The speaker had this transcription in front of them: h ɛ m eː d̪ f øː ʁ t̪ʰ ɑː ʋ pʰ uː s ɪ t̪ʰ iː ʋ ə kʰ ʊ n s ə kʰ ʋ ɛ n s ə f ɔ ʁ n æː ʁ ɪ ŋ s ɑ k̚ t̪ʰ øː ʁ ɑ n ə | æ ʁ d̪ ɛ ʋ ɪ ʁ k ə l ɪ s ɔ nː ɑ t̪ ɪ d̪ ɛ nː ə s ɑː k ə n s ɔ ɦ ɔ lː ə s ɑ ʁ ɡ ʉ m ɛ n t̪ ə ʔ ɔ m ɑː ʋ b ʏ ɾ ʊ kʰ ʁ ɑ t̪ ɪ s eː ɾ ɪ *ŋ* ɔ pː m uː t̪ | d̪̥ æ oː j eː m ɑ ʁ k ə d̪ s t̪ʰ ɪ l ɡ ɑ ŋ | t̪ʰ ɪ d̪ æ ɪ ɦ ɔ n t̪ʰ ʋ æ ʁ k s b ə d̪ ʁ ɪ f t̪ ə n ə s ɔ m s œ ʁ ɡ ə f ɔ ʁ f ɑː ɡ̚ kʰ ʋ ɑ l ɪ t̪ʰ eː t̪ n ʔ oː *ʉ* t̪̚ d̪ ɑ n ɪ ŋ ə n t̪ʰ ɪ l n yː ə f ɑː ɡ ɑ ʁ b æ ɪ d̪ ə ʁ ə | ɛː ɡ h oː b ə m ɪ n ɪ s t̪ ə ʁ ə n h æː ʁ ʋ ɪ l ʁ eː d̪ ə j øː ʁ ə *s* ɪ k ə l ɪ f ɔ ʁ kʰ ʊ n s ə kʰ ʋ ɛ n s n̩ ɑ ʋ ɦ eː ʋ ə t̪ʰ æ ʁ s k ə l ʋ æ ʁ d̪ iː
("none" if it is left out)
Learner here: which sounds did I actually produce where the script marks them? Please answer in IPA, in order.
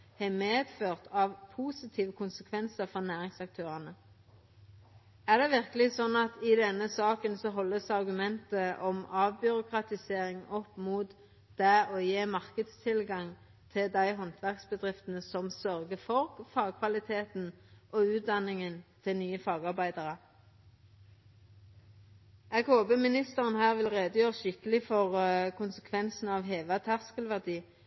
ŋ, ʉː, ʃ

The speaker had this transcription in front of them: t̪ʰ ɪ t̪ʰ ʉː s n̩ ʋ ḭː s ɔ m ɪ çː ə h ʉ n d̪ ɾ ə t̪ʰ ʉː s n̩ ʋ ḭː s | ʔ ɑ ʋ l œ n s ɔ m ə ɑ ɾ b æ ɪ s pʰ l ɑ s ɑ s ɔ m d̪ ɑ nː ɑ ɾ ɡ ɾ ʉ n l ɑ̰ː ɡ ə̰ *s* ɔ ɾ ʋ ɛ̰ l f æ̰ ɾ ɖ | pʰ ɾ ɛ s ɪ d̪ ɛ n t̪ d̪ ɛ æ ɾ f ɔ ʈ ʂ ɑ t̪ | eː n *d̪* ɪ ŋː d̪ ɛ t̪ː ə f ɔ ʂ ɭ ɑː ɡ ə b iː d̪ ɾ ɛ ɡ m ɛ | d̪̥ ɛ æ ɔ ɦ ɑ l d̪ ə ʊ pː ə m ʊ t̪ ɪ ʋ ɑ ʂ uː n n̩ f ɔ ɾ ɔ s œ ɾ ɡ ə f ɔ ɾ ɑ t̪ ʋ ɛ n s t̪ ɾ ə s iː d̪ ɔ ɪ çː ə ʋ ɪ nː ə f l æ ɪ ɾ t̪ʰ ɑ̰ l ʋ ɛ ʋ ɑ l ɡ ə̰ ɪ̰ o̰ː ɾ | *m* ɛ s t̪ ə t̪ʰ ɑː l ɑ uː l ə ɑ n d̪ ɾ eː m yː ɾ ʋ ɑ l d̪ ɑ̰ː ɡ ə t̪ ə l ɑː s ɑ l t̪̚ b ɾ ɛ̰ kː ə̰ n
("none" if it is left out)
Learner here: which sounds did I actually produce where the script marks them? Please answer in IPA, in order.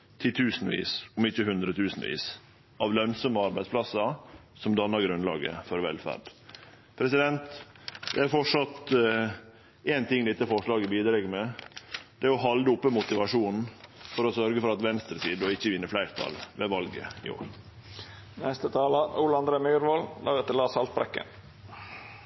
f, t̪, n

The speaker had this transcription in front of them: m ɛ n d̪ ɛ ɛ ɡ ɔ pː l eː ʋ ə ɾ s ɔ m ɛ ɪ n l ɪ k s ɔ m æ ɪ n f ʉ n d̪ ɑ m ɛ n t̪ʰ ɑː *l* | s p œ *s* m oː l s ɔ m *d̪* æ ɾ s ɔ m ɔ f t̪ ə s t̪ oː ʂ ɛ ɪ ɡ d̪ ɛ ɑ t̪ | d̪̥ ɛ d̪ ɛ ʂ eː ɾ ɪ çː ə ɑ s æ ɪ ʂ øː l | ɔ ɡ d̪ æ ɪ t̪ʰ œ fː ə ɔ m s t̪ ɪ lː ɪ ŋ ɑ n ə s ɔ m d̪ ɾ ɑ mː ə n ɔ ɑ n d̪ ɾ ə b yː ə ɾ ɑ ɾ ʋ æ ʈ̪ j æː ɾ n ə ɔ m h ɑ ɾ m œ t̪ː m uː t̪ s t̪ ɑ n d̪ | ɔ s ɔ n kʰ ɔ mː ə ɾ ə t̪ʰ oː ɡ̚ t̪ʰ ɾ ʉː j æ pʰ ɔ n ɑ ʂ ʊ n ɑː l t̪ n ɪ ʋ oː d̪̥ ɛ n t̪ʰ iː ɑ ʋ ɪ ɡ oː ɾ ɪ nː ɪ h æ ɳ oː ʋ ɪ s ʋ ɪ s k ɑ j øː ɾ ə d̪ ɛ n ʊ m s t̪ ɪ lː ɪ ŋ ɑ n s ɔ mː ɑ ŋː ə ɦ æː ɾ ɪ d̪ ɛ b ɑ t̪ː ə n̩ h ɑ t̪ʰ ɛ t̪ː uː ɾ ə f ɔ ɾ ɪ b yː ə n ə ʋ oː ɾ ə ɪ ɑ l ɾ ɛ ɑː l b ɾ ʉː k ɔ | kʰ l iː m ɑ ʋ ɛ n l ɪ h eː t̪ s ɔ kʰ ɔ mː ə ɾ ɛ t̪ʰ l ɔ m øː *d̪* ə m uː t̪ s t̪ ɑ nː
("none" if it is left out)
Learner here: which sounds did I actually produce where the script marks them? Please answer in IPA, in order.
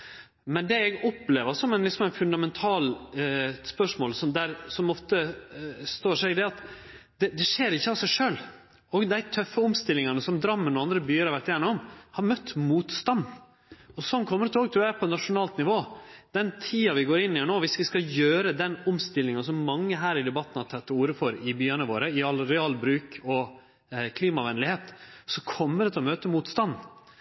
l, ʂ, d̪, t̪

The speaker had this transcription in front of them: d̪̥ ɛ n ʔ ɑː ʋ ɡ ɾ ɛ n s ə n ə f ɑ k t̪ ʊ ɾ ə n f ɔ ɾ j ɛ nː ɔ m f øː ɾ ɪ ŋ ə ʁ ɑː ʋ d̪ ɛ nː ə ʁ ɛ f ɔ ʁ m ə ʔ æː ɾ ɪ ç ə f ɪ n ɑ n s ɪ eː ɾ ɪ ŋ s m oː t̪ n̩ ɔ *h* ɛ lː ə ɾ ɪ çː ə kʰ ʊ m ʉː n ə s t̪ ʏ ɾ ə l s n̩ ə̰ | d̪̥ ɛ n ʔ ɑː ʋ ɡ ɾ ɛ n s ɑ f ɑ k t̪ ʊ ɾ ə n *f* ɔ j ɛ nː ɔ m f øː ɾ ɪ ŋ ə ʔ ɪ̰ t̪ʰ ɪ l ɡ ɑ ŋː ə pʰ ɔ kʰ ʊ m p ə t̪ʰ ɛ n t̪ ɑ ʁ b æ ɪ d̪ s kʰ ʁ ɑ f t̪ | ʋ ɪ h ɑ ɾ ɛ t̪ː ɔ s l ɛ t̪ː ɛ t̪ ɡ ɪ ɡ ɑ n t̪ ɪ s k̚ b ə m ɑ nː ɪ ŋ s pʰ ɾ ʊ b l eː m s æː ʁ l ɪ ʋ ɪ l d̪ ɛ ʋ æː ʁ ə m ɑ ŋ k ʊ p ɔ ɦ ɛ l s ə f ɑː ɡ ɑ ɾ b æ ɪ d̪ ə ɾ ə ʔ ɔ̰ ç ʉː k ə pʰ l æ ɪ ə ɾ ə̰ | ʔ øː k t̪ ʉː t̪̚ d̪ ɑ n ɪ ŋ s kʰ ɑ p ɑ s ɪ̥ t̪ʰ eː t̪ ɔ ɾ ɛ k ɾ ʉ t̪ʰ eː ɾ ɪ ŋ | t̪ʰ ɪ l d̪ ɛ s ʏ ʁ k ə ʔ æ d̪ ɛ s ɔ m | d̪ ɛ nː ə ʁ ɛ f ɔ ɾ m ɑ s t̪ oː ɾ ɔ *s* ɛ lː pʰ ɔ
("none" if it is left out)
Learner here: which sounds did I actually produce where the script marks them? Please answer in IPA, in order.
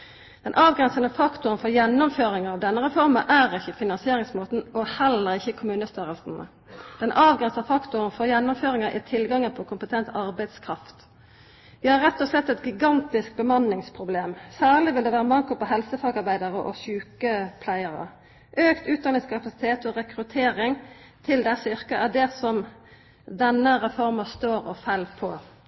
h, f, f

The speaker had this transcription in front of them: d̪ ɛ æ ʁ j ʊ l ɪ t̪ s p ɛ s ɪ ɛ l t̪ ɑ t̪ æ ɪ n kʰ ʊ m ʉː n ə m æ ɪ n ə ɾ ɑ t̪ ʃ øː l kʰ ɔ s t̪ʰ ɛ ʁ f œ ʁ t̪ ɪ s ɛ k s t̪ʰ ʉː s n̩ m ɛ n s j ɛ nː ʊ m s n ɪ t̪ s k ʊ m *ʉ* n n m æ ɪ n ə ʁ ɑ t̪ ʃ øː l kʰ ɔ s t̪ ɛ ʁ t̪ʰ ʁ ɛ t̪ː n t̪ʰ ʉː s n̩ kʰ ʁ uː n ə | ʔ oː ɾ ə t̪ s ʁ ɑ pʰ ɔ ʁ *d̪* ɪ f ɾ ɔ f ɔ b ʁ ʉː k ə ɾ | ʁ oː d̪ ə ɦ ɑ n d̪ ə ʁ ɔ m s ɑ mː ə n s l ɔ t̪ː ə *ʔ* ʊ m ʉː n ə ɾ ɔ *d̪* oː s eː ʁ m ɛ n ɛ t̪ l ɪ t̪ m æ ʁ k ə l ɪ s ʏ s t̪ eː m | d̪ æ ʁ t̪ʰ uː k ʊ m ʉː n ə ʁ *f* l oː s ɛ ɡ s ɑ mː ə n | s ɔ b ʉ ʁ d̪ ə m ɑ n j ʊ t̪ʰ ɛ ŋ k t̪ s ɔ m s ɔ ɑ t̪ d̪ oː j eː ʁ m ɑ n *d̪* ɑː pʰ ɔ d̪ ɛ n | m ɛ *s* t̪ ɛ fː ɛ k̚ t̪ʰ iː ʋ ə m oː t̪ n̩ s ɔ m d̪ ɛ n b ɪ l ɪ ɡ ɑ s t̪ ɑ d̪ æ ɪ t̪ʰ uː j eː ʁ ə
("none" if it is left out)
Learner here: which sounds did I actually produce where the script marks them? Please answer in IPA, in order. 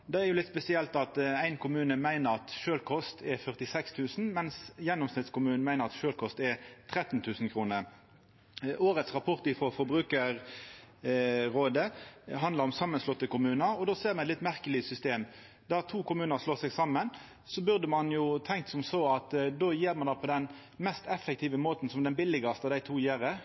ʉː, t̪, k, d̪, ʂ, d̪, s

